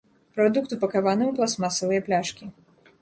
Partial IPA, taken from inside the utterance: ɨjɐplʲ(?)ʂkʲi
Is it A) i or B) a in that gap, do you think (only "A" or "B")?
B